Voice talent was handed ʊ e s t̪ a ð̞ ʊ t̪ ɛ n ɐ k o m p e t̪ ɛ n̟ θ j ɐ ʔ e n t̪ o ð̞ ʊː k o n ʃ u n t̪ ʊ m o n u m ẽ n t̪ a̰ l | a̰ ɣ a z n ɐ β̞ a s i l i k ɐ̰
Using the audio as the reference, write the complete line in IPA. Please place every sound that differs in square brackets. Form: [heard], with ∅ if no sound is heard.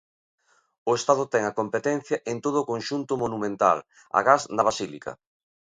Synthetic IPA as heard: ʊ e s t̪ a ð̞ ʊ t̪ ɛ [ŋ] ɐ k o m p e t̪ ɛ n̟ θ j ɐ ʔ e n t̪ o ð̞ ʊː k o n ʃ u n t̪ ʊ m o n u m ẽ n t̪ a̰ l | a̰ ɣ a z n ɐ β̞ a s i l i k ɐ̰